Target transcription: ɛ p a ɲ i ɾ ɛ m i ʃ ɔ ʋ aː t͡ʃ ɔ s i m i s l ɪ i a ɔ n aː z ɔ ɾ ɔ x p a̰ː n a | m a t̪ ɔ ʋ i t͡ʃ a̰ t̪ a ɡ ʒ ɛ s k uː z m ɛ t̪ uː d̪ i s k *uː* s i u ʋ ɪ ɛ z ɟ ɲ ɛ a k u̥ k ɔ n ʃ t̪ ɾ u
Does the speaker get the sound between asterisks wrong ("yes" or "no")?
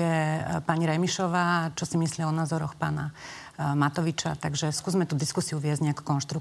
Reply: yes